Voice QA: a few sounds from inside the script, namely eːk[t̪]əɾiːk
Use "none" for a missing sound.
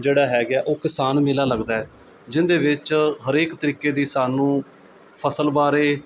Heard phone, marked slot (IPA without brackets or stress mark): t̪